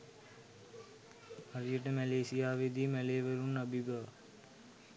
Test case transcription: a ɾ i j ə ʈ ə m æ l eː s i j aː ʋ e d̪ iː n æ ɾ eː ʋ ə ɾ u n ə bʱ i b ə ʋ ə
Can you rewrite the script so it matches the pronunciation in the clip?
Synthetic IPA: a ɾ i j ə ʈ ə m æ l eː s i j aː ʋ e d̪ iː m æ l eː ʋ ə ɾ u n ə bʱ i b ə ʋ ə